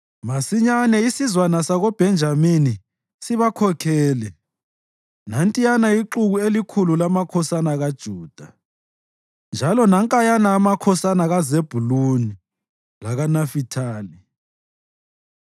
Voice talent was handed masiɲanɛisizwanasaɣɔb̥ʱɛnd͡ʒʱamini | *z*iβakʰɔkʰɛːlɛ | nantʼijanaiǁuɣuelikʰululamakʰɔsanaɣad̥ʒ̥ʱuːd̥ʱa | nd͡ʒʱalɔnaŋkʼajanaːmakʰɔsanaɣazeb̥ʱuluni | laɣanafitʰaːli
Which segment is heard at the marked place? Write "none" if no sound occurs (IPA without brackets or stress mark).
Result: s